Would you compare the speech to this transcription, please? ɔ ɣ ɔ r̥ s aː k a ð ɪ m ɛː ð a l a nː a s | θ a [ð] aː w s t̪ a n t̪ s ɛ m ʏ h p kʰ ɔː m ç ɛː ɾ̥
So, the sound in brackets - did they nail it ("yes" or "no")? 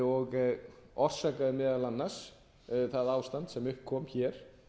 yes